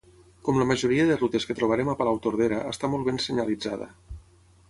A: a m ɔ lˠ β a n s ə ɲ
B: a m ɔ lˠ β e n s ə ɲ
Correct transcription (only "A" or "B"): B